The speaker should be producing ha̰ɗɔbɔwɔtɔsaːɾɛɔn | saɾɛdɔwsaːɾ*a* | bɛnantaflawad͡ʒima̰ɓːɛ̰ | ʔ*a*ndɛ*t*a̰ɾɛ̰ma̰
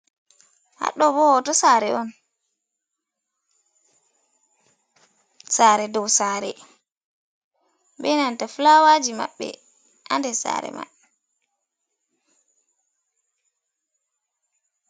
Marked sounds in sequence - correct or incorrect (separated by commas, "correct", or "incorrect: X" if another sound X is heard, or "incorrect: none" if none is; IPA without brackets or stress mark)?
incorrect: ɛ, correct, incorrect: s